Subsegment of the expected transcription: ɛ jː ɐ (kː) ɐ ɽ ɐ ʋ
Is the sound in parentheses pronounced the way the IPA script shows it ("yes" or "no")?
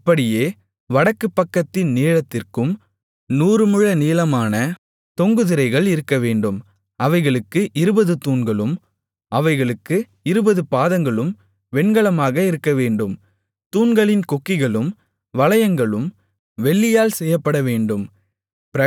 no